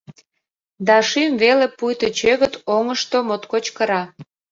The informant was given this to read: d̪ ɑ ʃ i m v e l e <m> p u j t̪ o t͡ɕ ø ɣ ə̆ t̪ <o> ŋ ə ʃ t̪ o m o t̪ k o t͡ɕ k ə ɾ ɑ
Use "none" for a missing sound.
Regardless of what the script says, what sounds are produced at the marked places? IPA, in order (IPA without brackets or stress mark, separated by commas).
none, o